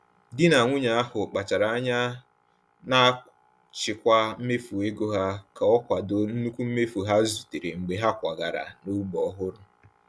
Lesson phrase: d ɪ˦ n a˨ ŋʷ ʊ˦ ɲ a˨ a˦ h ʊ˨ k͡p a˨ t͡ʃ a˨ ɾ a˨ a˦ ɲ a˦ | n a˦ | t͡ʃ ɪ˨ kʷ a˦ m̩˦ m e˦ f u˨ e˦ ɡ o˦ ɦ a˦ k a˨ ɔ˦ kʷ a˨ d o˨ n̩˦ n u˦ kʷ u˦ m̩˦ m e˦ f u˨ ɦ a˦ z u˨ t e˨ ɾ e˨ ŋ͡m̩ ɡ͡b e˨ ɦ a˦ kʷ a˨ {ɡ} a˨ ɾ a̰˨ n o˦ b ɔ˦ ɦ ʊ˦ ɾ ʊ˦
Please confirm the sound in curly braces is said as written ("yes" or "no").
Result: yes